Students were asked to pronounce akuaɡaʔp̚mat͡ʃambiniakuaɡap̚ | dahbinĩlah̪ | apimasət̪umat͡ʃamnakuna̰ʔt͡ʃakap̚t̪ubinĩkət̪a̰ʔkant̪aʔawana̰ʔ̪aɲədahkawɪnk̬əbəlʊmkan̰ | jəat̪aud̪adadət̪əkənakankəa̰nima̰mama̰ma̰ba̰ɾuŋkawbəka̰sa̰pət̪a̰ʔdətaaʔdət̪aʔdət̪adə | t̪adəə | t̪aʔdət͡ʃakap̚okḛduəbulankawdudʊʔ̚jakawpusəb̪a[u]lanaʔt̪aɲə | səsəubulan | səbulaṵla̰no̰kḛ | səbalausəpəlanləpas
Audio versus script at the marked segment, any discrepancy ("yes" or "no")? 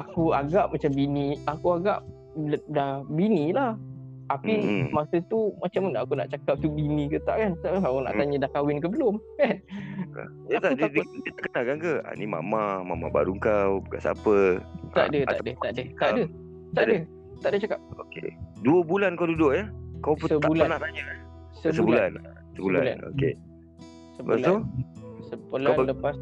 no